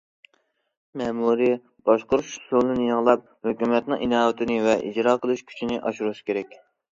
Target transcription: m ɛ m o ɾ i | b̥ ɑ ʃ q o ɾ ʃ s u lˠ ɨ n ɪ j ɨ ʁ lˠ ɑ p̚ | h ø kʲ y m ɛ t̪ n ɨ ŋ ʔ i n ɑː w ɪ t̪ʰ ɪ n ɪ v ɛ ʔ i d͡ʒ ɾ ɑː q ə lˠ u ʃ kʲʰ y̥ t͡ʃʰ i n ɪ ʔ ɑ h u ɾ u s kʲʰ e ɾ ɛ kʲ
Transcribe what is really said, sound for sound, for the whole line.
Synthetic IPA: m ɛ m u ɾ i | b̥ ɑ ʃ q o ɾ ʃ s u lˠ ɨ n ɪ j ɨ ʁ lˠ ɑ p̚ | h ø kʲ y m ɛ t̪ n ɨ ŋ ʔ i n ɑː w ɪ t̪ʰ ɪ n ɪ v ɛ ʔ i d͡ʒ ɾ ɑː q ə lˠ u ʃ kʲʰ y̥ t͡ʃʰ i n ɪ ʔ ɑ ʃ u ɾ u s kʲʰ e ɾ ɛ kʲ